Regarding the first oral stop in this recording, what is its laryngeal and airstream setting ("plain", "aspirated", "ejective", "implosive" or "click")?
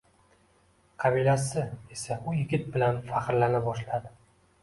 aspirated